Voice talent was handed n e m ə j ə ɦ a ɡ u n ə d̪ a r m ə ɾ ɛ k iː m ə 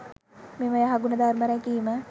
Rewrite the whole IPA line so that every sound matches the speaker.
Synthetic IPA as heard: m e m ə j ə ɦ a ɡ u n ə d̪ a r m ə ɾ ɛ k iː m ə